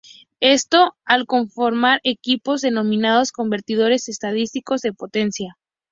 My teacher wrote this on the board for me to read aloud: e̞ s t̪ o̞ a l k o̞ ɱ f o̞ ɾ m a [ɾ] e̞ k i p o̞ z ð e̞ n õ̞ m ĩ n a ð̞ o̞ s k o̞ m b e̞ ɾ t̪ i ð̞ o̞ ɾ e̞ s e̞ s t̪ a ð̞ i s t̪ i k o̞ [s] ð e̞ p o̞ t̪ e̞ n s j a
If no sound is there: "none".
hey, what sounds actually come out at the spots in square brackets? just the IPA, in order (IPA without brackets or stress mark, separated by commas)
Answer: ɾ, z